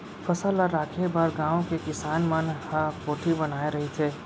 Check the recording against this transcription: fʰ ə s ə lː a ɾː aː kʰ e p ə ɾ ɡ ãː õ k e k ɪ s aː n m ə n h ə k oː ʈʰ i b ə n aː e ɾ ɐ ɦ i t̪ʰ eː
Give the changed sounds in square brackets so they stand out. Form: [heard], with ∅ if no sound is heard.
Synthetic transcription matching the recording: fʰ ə s ə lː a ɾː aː kʰ e [b] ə ɾ ɡ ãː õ k e k ɪ s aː n m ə n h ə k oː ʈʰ i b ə n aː e ɾ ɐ ɦ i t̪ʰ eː